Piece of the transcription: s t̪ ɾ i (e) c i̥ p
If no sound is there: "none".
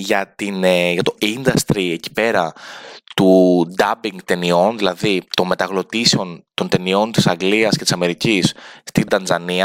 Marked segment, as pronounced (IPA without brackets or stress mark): e